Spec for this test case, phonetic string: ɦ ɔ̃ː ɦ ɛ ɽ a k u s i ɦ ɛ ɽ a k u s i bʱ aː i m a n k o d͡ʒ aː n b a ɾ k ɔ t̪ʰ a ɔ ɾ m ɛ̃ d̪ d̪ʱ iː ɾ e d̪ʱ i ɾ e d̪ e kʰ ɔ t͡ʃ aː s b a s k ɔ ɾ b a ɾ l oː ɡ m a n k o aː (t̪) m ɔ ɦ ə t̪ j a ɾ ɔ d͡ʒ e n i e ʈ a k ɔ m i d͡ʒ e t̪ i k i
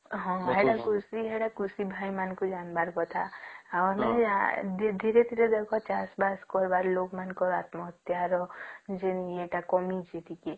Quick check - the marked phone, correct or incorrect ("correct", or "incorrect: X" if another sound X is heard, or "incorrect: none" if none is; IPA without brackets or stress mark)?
correct